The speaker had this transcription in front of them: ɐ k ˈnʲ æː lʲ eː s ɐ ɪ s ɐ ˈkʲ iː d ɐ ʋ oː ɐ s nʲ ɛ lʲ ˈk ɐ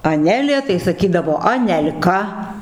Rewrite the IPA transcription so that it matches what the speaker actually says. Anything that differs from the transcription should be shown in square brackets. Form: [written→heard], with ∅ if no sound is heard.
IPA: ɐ [k→∅] ˈnʲ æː lʲ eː [s→t] ɐ ɪ s ɐ ˈkʲ iː d ɐ ʋ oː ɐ [s→∅] nʲ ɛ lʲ ˈk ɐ